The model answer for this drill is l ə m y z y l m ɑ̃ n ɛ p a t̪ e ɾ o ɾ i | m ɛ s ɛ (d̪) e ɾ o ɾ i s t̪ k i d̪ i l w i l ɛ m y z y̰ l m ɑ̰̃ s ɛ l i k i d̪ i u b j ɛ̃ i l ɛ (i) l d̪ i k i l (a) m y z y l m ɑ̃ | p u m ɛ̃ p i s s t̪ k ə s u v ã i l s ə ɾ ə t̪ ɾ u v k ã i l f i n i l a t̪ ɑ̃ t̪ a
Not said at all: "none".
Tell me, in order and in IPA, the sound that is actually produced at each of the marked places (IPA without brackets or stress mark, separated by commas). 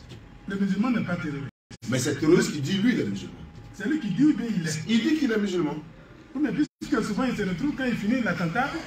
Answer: t̪, i, ɛ